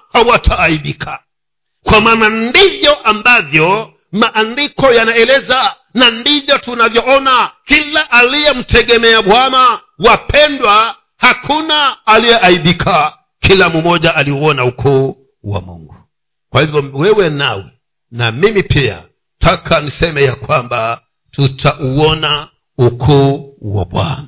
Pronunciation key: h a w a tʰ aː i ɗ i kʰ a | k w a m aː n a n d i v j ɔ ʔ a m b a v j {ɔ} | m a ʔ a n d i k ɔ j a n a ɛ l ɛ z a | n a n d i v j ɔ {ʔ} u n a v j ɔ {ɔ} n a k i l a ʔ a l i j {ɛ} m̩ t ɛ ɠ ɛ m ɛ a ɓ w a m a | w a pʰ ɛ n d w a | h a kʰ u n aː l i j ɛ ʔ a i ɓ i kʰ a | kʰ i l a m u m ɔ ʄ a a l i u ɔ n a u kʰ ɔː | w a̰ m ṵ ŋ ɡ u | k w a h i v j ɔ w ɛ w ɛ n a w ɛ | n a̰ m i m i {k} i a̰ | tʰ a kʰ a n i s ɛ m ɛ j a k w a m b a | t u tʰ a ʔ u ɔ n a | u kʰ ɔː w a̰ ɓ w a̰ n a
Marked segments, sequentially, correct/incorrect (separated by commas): correct, incorrect, correct, correct, incorrect